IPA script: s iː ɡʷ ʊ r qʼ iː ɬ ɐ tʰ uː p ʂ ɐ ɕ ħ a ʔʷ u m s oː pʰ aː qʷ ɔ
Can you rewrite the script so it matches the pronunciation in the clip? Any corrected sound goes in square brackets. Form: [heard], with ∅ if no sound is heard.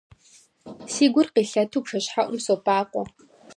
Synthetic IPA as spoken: s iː ɡʷ ʊ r [q] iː ɬ ɐ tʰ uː p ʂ ɐ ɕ ħ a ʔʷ [ʊ] m s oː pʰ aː qʷ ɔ